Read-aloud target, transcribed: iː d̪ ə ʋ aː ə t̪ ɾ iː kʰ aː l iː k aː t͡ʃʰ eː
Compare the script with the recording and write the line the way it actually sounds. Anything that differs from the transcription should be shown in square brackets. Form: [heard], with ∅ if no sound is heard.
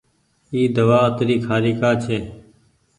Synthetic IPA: iː d̪ ə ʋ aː ə t̪ ɾ iː kʰ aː [ɾ] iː k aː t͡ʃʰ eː

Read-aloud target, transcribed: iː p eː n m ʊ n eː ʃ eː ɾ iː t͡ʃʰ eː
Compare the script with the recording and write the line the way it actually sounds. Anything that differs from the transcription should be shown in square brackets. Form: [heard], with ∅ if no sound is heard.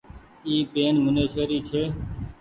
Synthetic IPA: iː p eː n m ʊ n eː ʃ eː ɾ iː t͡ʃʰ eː

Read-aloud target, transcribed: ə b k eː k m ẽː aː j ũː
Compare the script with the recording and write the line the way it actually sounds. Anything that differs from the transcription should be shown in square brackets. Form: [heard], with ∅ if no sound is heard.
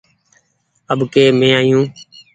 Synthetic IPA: ə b k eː [∅] m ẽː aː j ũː

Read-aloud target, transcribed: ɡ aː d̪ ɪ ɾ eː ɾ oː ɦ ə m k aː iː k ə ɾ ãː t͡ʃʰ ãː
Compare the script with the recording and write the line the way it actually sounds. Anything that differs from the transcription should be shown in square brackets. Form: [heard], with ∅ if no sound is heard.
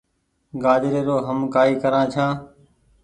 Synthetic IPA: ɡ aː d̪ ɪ ɾ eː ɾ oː ɦ ə m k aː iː k ə ɾ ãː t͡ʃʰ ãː

